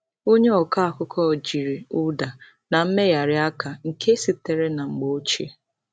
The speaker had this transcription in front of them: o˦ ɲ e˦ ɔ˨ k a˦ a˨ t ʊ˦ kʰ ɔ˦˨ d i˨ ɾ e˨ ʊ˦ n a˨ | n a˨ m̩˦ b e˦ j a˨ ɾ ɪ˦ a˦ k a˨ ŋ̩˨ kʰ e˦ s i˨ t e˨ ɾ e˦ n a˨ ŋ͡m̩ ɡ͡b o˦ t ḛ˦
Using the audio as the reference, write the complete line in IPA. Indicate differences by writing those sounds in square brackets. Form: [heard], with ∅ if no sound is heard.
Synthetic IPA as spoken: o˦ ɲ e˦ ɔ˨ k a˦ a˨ [k] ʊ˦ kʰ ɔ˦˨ [d͡ʒ] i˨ ɾ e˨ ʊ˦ [d] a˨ | n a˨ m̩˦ [m] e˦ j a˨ ɾ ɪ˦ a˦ k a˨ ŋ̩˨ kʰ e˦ s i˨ t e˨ ɾ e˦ n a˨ ŋ͡m̩ ɡ͡b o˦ [t͡ʃ] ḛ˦

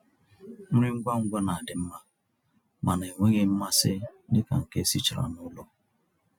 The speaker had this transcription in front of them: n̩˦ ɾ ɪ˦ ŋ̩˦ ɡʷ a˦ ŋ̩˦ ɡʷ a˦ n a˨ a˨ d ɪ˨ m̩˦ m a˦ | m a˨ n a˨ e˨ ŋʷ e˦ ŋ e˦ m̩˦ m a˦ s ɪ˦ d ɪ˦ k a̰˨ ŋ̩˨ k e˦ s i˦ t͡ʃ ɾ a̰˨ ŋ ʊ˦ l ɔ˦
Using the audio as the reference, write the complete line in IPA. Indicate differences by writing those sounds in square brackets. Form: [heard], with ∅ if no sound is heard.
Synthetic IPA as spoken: [m̩˦] ɾ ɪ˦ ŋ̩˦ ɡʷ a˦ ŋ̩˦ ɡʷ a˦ n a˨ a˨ d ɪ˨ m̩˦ m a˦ | m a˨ n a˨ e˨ ŋʷ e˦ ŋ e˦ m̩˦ m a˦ s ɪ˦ d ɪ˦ k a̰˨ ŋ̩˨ k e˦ s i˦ t͡ʃ ɾ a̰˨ [n] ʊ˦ l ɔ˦

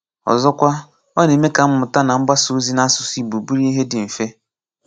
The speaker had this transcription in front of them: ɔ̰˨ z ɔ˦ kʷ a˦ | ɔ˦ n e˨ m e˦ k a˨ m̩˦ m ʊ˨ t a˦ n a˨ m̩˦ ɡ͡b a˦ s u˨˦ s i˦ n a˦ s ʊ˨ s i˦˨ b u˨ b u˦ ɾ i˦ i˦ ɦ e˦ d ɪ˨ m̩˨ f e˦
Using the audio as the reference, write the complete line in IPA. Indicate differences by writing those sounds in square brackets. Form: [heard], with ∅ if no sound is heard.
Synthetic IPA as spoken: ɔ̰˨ z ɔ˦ kʷ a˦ | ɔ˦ n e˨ m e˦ k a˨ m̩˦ m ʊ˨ t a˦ n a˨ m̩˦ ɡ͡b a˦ s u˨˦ [z] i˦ n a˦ s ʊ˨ s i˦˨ b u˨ b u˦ ɾ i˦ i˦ ɦ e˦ d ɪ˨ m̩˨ f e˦

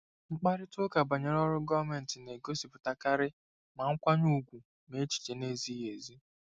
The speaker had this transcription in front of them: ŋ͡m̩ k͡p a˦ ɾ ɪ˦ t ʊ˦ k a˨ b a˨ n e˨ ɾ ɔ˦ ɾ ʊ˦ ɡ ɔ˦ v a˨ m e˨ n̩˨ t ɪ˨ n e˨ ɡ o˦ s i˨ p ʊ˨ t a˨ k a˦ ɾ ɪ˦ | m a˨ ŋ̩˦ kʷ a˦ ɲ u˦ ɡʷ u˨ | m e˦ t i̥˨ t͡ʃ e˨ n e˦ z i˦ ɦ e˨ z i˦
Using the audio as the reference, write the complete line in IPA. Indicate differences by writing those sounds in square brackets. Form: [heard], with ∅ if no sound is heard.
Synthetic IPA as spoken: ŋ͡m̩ k͡p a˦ ɾ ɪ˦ t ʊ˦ k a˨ b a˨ [ɲ] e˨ ɾ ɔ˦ ɾ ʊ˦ ɡ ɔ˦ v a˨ m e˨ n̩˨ t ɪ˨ n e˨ ɡ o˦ s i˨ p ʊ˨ t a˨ k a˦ ɾ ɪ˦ | m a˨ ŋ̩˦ kʷ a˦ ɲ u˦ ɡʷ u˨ | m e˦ [t͡ʃ] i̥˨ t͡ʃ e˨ n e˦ z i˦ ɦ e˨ z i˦

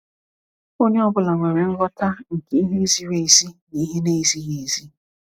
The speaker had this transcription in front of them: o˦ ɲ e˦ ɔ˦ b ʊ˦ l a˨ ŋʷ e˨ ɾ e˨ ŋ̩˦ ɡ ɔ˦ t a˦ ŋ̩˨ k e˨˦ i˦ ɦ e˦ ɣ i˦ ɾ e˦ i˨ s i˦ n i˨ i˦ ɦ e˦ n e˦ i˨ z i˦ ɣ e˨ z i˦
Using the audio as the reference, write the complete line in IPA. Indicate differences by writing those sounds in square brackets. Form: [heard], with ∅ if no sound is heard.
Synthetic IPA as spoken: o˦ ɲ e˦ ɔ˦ b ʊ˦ l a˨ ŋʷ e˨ ɾ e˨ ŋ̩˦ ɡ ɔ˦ t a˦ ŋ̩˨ k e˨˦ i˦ ɦ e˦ [z] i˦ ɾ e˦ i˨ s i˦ n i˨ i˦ ɦ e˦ n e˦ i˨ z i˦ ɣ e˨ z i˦

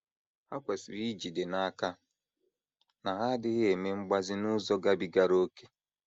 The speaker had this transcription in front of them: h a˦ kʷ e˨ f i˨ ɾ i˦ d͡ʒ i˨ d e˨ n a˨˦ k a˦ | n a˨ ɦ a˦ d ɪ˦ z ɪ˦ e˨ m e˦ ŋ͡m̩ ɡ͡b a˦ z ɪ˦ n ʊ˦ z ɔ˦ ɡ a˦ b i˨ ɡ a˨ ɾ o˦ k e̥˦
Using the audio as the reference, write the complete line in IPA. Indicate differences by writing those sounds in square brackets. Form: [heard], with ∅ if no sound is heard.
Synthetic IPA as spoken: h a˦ kʷ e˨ [s] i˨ ɾ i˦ d͡ʒ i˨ d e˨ n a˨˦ k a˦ | n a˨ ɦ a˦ d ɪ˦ [ɣ] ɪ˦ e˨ m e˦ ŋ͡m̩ ɡ͡b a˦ z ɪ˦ n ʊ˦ z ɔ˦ ɡ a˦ b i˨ ɡ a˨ ɾ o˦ k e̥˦

